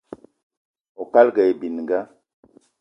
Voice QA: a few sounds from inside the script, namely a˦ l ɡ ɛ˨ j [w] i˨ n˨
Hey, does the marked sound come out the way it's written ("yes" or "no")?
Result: no